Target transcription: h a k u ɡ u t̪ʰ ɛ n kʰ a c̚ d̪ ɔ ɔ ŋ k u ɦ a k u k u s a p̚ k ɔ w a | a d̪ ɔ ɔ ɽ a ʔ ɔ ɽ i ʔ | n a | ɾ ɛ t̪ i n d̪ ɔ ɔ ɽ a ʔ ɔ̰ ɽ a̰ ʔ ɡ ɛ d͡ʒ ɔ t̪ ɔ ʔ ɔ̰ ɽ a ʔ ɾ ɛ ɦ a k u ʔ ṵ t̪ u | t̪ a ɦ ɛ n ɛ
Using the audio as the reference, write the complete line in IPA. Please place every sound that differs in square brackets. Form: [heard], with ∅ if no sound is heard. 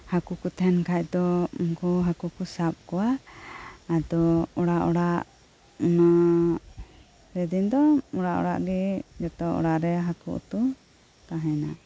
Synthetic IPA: h a k u [k] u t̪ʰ ɛ n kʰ a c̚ d̪ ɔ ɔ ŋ k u ɦ a k u k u s a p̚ k ɔ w a | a d̪ ɔ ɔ ɽ a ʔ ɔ ɽ [a] ʔ | n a | ɾ ɛ [d̪] i n d̪ ɔ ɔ ɽ a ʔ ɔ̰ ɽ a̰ ʔ ɡ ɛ d͡ʒ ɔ t̪ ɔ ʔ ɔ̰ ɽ a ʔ ɾ ɛ ɦ a k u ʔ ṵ t̪ u | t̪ a ɦ ɛ n [a]

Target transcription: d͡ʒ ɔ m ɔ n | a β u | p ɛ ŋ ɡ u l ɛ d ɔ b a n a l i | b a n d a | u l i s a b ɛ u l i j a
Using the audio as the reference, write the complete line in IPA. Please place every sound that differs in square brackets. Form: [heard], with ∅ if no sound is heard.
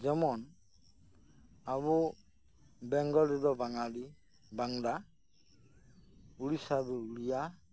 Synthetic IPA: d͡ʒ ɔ m ɔ n | a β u | [b] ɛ ŋ ɡ [ɔ] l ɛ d ɔ b a [ŋ] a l i | b a [ŋ] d a | u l i s a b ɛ u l i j a

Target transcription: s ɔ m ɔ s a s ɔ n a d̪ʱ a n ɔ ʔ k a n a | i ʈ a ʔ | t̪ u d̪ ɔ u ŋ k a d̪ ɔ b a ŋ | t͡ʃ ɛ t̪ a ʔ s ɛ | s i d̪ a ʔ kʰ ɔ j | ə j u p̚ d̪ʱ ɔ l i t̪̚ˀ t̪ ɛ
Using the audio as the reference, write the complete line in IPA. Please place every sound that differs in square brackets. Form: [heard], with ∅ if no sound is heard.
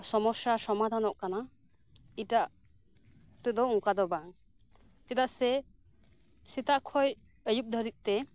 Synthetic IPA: s ɔ m ɔ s a s ɔ [m] a d̪ʱ a n ɔ ʔ k a n a | i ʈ a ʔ | t̪ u d̪ ɔ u ŋ k a d̪ ɔ b a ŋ | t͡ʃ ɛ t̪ a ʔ s ɛ | s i [t̪] a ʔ kʰ ɔ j | ə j u p̚ d̪ʱ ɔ [ɾ] i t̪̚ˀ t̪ ɛ

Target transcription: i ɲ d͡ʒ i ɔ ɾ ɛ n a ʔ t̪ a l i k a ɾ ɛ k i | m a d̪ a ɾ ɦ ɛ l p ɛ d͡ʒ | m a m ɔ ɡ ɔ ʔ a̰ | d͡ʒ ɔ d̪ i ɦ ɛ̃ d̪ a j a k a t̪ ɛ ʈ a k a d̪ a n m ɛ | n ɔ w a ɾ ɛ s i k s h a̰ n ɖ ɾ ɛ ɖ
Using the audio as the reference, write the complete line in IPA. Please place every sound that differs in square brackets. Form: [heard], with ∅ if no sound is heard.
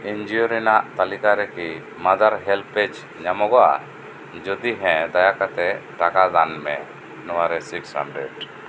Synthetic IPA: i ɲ d͡ʒ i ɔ ɾ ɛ n a ʔ t̪ a l i k a ɾ ɛ k i | m a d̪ a ɾ ɦ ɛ l p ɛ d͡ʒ | [ɲ] a m ɔ ɡ ɔ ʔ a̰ | d͡ʒ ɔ d̪ i ɦ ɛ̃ d̪ a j a k a t̪ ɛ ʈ a k a d̪ a n m ɛ | n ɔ w a ɾ ɛ s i k s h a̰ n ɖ ɾ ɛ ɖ

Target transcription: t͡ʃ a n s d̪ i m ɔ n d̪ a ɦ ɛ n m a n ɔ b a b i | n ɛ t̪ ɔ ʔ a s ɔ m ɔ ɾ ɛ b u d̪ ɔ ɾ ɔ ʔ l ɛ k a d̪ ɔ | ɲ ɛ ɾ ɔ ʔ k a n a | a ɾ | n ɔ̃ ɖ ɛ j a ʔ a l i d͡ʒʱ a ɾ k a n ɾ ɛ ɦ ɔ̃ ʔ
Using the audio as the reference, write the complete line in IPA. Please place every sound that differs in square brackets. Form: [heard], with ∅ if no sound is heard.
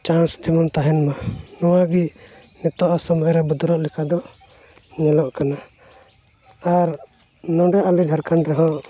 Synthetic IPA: t͡ʃ a n s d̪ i m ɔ n [t̪] a ɦ ɛ n m a n ɔ [w] a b i | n ɛ t̪ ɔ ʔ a s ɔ m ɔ ɾ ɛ b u d̪ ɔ ɾ ɔ ʔ l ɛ k a d̪ ɔ | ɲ ɛ [l] ɔ ʔ k a n a | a ɾ | n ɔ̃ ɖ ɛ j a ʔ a l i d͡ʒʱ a ɾ k a n ɾ ɛ ɦ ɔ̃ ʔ

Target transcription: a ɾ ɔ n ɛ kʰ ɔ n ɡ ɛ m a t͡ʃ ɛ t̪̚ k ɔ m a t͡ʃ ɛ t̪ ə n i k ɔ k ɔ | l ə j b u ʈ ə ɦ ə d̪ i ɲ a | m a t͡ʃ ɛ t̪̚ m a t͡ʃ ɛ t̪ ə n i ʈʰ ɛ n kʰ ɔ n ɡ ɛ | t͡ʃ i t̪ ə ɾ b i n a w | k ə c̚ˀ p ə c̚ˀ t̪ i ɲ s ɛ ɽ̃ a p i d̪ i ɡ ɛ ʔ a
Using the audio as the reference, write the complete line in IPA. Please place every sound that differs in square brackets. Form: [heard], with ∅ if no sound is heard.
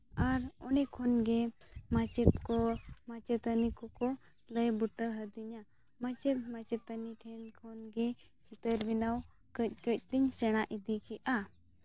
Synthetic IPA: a ɾ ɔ n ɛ kʰ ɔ n ɡ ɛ m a t͡ʃ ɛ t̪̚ k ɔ m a t͡ʃ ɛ t̪ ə n i k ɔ k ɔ | l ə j b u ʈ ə ɦ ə d̪ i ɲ a | m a t͡ʃ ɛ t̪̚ m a t͡ʃ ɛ t̪ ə n i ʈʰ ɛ n kʰ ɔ n ɡ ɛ | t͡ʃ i t̪ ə ɾ b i n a w | k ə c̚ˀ [k] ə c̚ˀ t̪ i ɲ s ɛ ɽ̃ a [ʔ] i d̪ i [k] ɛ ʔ a

